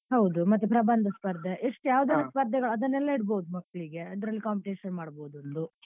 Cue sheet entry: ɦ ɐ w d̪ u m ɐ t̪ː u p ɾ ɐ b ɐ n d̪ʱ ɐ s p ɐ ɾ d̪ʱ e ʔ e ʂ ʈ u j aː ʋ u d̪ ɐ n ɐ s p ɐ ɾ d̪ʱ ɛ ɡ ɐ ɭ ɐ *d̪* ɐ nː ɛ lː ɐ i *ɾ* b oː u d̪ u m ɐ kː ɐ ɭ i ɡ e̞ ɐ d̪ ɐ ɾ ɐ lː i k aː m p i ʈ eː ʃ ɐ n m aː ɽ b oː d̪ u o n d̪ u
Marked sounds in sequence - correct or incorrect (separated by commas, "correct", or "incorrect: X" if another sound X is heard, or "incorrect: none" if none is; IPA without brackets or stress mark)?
correct, incorrect: ɽ